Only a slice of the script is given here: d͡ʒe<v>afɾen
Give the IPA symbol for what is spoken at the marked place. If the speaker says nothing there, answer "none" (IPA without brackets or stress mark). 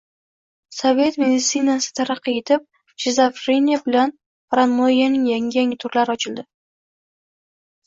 z